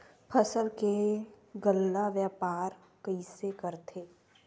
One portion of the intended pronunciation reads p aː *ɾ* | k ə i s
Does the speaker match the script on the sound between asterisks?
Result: yes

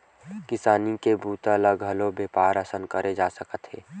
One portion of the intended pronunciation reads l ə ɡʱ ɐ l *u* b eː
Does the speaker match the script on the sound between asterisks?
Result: no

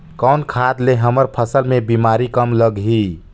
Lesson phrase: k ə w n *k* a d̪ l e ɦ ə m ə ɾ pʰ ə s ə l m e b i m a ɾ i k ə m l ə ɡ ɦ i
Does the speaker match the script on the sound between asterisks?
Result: no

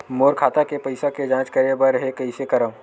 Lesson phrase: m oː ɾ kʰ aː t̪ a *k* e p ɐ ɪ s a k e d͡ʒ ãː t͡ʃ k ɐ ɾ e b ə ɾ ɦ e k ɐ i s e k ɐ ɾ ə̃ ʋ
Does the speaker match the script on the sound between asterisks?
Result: yes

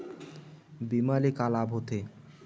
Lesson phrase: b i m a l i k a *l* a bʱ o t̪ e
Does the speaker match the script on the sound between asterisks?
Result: yes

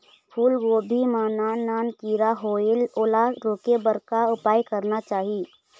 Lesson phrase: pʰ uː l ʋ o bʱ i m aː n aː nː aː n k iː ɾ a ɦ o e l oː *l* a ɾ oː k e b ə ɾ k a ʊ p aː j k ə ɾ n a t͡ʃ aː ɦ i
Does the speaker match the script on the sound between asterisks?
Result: yes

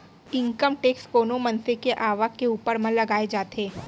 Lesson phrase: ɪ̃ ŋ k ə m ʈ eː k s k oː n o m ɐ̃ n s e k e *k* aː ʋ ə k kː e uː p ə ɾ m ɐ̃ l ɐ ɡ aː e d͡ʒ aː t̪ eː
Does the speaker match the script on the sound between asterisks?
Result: no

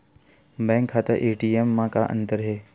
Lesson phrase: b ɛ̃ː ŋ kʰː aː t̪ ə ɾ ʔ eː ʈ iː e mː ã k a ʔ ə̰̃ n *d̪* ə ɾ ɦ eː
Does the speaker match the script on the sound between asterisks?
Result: no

